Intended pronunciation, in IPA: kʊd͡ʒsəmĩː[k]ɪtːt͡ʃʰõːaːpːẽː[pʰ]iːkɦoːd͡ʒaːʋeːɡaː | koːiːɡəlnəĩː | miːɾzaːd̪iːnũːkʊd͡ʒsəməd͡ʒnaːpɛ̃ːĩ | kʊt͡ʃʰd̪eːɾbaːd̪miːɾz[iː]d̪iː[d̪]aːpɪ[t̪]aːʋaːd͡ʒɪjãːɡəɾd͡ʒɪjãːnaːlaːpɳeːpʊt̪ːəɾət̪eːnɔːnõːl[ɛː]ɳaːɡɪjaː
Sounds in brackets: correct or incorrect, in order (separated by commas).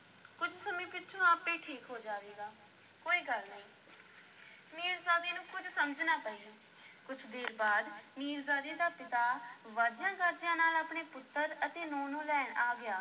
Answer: incorrect, incorrect, incorrect, correct, correct, correct